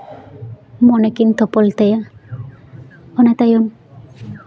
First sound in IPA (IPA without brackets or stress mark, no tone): m